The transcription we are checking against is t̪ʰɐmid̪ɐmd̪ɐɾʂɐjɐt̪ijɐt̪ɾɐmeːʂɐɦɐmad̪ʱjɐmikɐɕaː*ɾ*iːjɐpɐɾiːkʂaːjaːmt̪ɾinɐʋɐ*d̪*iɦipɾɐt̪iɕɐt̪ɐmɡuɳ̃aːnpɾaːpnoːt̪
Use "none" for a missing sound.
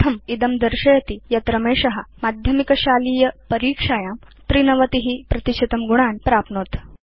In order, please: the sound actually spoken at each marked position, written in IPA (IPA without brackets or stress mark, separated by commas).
l, t̪